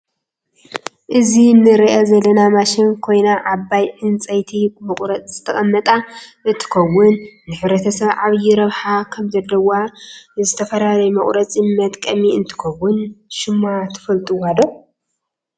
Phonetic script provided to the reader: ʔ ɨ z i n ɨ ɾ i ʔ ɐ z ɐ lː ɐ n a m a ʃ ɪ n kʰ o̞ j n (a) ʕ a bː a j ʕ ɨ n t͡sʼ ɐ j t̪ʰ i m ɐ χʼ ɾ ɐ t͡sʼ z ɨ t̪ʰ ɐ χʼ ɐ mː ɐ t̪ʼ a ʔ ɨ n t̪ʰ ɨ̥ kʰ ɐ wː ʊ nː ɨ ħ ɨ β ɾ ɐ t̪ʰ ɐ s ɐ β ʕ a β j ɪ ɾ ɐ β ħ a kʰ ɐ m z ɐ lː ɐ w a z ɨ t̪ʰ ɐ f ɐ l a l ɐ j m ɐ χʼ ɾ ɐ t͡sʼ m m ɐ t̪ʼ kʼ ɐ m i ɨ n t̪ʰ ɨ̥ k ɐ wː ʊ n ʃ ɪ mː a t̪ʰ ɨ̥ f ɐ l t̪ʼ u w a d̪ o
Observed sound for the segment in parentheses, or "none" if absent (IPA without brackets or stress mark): a